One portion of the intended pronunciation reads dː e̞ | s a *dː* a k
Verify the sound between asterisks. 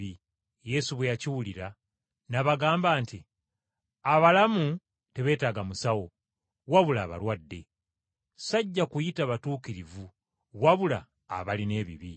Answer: incorrect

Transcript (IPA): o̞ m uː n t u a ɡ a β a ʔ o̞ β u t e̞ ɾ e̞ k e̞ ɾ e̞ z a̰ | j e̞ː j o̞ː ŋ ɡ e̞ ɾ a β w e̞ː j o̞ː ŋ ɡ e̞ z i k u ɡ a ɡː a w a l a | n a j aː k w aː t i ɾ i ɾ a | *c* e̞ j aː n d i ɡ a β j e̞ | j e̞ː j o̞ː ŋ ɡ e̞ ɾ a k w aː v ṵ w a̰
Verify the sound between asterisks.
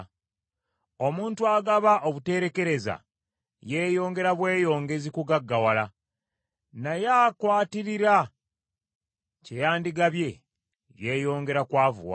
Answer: correct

